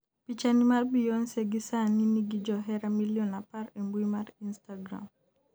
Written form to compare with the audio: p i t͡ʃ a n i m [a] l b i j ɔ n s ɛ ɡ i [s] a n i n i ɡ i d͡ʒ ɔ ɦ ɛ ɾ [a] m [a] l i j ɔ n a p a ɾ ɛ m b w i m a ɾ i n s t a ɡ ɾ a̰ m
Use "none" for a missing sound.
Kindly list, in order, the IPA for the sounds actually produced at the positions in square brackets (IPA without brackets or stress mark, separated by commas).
a, s, a, i